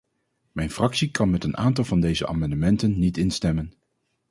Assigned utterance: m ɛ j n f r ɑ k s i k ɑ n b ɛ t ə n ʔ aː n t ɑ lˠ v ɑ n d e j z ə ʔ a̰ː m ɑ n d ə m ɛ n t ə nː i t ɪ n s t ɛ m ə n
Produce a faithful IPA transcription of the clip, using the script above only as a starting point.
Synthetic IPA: m ɛ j n f r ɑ k s i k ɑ n m ɛ t ə n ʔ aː n t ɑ lˠ v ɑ n d e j z ə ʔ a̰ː m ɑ n d ə m ɛ n t ə nː i t ɪ n s t ɛ m ə n